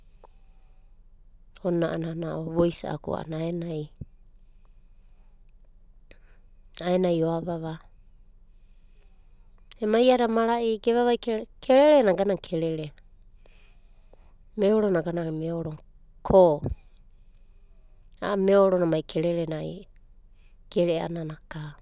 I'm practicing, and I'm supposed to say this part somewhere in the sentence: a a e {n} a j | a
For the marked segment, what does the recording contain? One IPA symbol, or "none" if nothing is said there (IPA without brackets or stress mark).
n